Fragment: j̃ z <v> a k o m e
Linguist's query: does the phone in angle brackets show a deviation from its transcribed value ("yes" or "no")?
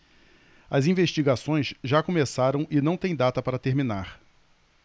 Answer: yes